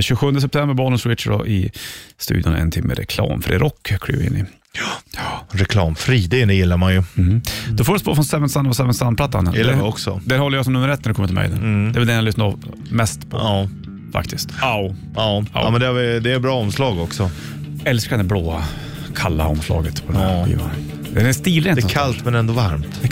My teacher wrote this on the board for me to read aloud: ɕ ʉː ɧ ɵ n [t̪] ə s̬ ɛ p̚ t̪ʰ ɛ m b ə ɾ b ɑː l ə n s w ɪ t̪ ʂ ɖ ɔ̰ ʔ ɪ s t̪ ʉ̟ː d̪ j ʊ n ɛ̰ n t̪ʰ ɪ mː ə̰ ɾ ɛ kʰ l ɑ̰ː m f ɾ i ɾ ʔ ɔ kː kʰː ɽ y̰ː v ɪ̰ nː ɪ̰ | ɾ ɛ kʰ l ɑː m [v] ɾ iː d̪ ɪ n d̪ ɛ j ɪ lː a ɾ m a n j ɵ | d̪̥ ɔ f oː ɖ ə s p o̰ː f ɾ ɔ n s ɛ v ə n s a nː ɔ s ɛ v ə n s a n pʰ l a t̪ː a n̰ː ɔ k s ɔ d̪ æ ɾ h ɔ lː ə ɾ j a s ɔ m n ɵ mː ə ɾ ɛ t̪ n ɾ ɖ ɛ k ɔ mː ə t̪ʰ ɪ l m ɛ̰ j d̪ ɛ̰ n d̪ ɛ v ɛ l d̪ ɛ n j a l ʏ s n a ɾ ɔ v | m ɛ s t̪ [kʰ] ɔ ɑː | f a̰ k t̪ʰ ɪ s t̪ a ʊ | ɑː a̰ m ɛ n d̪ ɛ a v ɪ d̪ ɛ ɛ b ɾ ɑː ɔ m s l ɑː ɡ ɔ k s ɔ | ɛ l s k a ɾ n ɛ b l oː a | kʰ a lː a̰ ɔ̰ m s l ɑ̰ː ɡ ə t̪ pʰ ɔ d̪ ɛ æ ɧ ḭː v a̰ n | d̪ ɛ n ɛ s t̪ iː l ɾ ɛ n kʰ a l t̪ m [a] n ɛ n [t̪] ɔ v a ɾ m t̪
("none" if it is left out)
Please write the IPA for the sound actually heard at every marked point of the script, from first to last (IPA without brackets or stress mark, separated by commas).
d̪, f, pʰ, ɛ, d̪